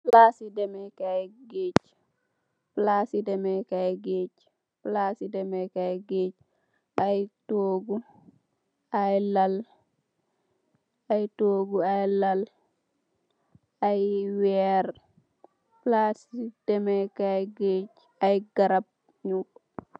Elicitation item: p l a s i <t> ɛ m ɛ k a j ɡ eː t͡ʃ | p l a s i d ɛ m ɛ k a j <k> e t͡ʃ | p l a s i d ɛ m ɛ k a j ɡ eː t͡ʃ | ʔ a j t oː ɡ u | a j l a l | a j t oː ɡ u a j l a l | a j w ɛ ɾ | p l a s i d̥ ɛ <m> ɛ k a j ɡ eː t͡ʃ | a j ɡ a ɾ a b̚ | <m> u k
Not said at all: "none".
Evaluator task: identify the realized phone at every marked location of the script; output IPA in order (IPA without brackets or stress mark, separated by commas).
d, ɡ, m, ɲ